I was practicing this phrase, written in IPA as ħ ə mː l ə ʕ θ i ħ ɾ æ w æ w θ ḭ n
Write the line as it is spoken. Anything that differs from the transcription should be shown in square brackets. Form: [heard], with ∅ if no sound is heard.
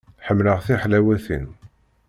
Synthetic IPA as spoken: ħ ə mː l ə [ʁ] θ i ħ [l] æ w æ [∅] θ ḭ n